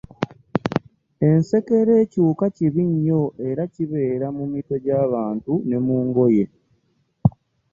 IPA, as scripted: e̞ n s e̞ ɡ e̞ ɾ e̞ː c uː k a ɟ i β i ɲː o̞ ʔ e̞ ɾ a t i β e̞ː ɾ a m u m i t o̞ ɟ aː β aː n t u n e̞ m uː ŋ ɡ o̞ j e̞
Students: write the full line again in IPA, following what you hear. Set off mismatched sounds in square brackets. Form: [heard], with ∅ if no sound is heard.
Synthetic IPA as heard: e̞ n s e̞ [k] e̞ ɾ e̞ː c uː k a [c] i β i ɲː o̞ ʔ e̞ ɾ a [c] i β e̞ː ɾ a m u m i t o̞ ɟ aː β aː n t u n e̞ m uː ŋ ɡ o̞ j e̞